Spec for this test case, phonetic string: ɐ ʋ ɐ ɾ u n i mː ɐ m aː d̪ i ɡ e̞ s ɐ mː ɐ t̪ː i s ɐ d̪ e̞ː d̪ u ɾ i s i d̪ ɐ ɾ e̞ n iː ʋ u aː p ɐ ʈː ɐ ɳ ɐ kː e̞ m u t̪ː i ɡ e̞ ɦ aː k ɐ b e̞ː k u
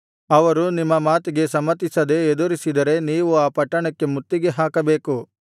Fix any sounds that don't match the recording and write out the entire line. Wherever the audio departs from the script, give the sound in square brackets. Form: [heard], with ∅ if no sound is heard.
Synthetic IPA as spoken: ɐ ʋ ɐ ɾ u n i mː ɐ m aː [t̪] i ɡ e̞ s ɐ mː ɐ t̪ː i s ɐ d̪ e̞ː d̪ u ɾ i s i d̪ ɐ ɾ e̞ n iː ʋ u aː p ɐ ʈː ɐ ɳ ɐ kː e̞ m u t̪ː i ɡ e̞ ɦ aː k ɐ b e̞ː k u